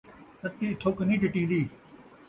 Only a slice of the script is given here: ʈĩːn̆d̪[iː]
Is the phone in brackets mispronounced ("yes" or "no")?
no